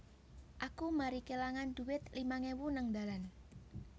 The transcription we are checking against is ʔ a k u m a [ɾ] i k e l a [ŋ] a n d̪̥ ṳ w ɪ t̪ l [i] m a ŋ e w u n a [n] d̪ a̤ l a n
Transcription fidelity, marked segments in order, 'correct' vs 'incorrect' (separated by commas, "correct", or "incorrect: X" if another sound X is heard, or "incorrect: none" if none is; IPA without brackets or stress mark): correct, correct, correct, incorrect: ŋ